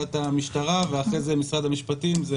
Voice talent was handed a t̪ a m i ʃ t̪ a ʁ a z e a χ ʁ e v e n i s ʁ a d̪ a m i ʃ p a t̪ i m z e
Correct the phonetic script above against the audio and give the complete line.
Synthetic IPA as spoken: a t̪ a m i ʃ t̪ a ʁ a v e a χ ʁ e z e m i s ʁ a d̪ a m i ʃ p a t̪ i m z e